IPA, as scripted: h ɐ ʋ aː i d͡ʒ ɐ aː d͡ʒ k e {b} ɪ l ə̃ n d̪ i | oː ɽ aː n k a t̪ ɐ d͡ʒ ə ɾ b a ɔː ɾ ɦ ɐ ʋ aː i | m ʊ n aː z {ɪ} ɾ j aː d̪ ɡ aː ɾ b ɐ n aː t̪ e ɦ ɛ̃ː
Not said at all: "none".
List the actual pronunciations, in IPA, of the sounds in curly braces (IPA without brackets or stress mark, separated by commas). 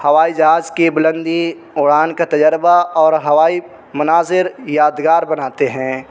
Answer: b, ɪ